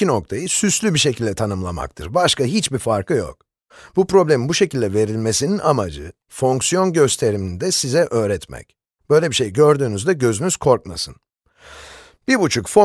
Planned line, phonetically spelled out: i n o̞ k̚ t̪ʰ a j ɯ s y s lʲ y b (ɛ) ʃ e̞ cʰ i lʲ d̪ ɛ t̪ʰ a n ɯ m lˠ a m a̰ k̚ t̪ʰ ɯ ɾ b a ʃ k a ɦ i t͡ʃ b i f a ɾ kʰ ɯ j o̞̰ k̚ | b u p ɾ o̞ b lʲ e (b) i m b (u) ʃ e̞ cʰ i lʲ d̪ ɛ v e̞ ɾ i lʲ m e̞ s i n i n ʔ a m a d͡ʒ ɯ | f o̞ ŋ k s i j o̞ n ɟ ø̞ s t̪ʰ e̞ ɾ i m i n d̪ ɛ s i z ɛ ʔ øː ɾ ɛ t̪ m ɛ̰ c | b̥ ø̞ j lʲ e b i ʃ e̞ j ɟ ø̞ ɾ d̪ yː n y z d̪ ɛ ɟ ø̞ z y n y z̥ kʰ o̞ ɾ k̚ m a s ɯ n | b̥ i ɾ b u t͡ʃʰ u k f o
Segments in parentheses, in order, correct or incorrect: incorrect: i, incorrect: m, correct

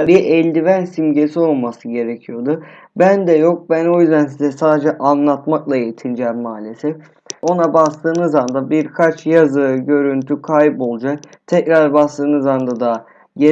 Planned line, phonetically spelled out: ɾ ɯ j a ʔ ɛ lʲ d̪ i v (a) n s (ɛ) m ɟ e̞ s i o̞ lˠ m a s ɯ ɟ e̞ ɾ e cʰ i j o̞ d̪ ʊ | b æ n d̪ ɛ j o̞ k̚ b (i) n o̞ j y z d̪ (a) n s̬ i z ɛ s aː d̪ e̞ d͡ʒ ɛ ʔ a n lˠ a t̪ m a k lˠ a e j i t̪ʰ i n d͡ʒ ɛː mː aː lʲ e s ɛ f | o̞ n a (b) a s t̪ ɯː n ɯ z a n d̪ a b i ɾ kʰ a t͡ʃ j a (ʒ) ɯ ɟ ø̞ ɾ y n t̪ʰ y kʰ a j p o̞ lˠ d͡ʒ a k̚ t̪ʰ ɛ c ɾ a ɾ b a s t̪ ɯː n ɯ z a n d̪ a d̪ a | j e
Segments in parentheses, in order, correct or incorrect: incorrect: æ, incorrect: i, incorrect: æ, incorrect: æ, correct, incorrect: z

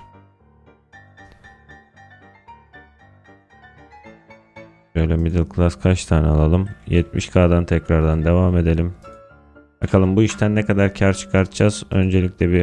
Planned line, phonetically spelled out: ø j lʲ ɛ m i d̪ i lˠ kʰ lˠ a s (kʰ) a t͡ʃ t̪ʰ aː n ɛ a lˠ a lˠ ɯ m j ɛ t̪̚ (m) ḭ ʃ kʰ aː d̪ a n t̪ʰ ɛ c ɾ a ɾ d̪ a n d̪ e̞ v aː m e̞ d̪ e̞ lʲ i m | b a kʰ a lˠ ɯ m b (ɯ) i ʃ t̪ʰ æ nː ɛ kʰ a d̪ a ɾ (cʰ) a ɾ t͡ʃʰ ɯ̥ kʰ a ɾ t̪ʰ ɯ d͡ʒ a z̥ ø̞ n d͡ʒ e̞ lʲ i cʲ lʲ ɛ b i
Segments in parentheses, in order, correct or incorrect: correct, correct, incorrect: u, correct

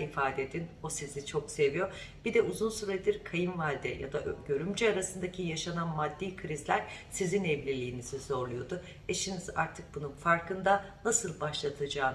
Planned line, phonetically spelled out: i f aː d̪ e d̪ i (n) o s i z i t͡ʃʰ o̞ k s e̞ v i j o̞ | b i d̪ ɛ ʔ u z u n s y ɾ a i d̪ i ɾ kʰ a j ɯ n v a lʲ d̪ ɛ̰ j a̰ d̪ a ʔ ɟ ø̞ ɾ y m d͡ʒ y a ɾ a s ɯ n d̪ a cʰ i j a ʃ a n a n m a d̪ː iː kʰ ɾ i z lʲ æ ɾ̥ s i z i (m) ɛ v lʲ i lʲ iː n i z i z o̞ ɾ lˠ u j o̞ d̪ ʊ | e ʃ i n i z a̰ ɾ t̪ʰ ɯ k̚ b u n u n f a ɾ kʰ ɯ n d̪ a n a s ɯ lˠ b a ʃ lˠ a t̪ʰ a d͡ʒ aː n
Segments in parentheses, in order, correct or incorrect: correct, incorrect: n

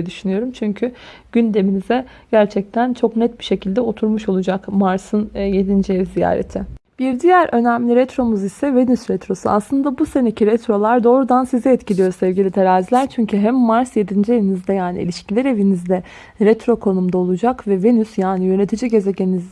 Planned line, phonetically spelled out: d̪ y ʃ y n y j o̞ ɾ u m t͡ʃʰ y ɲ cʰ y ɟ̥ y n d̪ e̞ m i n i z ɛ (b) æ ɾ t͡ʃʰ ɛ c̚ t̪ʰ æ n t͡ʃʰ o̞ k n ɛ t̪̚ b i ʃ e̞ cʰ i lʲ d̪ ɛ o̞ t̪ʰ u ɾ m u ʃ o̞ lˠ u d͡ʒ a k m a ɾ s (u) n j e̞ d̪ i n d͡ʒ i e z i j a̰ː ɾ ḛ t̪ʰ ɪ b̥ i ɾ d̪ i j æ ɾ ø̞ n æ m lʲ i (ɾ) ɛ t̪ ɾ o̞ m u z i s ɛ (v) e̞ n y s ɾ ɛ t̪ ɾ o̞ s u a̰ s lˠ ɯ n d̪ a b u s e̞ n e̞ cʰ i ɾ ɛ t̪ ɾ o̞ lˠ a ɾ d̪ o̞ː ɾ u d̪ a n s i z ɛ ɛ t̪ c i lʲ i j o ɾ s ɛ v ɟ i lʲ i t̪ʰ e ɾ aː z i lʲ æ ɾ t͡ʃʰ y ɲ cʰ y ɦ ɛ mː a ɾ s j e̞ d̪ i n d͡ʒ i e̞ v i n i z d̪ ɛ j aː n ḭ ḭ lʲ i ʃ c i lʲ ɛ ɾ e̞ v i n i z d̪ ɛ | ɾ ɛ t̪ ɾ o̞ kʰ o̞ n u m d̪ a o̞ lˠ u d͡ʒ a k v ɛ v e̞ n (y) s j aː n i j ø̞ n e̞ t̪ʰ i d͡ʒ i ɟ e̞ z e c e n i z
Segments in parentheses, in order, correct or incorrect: incorrect: ɟ, incorrect: ɯ, correct, correct, correct

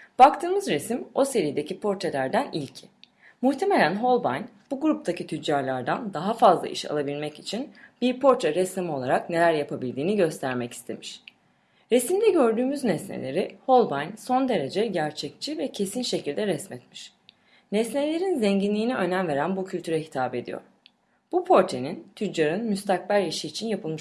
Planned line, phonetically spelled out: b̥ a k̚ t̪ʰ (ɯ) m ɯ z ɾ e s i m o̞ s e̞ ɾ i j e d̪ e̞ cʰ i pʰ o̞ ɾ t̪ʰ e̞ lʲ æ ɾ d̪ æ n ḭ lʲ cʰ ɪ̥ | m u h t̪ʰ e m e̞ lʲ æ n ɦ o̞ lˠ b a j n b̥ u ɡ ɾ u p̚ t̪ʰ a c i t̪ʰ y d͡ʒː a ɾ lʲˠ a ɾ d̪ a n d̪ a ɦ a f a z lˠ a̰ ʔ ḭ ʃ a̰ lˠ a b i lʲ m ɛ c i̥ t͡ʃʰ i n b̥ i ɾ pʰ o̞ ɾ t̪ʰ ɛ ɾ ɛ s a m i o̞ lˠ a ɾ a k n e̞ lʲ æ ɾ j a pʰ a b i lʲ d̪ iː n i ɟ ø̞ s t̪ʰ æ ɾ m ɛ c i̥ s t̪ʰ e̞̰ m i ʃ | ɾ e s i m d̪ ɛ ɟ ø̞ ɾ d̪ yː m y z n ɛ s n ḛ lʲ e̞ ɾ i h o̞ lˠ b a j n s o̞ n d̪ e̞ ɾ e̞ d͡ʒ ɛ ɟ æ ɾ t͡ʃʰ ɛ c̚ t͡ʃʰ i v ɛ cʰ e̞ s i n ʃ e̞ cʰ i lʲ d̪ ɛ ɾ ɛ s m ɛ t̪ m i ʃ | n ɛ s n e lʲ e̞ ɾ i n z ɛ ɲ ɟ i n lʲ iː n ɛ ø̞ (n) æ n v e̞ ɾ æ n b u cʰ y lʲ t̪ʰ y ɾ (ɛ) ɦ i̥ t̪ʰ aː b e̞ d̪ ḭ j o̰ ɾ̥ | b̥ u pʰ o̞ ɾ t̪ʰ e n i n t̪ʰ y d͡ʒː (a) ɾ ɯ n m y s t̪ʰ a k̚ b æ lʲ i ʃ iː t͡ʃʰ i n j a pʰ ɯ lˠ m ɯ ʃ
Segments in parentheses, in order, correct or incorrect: incorrect: ɯː, correct, correct, correct

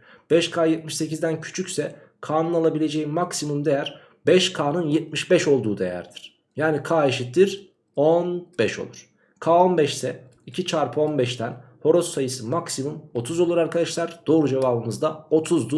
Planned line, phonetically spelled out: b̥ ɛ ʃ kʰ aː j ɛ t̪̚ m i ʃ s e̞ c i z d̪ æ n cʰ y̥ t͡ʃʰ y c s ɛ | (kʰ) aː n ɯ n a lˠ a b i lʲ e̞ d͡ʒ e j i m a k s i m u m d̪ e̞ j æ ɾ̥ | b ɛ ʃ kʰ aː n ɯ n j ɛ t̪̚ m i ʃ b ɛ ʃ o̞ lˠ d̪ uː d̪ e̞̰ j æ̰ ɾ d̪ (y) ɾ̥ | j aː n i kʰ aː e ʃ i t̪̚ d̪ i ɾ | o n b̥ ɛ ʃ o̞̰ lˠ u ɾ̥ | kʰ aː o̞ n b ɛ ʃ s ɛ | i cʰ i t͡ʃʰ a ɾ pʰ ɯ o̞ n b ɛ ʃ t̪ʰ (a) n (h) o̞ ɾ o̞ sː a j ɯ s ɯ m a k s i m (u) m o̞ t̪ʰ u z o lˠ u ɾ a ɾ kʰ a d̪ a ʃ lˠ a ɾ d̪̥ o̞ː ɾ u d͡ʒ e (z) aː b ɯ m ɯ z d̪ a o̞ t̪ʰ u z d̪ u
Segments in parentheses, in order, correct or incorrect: correct, incorrect: i, incorrect: æ, correct, correct, incorrect: v

